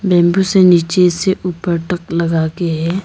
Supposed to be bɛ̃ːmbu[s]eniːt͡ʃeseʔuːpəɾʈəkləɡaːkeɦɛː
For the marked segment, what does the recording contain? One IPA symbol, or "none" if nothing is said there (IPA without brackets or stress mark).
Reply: s